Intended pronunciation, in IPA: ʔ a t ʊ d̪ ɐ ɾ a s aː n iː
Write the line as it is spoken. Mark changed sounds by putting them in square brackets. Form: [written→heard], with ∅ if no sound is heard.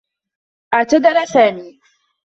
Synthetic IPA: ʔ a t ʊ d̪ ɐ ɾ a s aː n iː

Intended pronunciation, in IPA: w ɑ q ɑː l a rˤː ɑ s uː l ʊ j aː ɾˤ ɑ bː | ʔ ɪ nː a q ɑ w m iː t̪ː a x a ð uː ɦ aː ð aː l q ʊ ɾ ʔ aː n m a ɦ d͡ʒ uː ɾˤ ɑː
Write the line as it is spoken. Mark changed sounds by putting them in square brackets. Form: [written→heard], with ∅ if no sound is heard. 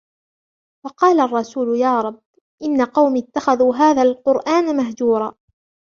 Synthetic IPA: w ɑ q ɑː l a rˤː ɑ s uː l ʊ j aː ɾˤ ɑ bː | ʔ ɪ nː a q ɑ w m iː t̪ː a x a ð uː ɦ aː ð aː l q ʊ ɾ ʔ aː n m a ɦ d͡ʒ uː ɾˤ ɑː

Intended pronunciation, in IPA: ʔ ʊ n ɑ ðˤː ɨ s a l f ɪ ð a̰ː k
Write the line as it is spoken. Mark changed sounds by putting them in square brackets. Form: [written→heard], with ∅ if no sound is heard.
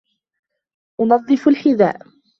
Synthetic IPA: ʔ ʊ n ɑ ðˤː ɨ [s→f] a l [f→ħ] ɪ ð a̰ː [k→ʔ]

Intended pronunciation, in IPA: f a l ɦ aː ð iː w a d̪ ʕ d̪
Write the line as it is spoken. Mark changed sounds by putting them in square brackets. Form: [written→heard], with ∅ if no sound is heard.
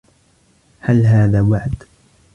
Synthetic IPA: [f→h] a l ɦ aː ð [iː→aː] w a [d̪→∅] ʕ d̪

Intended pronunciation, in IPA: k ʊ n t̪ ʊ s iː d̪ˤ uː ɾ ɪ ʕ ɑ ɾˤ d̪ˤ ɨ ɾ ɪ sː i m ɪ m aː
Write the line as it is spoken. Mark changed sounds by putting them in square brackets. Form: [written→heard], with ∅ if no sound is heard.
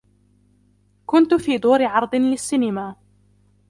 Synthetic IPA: k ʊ n t̪ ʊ [s→f] iː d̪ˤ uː ɾ ɪ ʕ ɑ ɾˤ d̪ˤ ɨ [ɾ→l] ɪ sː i [m→n] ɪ m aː

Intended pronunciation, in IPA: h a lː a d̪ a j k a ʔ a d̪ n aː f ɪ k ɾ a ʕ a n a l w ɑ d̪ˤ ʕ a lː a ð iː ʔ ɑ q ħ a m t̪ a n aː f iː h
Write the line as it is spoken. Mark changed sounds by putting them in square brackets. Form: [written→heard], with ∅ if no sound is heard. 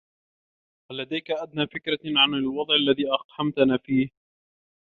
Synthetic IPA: h a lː a d̪ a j k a ʔ a d̪ n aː f ɪ k ɾ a ʕ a n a l w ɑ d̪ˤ ʕ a lː a ð iː ʔ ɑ q ħ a m t̪ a n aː f iː h

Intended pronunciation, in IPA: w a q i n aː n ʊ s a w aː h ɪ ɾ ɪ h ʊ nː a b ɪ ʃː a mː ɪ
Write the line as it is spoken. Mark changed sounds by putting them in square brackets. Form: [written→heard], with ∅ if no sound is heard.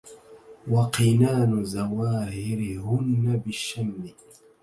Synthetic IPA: w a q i n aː n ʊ [s→z] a w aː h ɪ ɾ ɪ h ʊ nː a b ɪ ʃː a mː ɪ

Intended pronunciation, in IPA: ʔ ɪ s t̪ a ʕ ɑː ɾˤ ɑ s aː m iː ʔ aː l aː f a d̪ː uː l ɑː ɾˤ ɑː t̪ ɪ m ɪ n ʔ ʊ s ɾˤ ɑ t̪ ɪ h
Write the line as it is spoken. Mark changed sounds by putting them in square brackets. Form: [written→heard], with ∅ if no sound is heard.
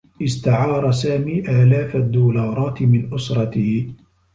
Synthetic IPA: ʔ ɪ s t̪ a ʕ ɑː ɾˤ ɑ s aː m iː ʔ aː l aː f a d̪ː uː l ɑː ɾˤ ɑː t̪ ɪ m ɪ n ʔ ʊ s ɾˤ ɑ t̪ ɪ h

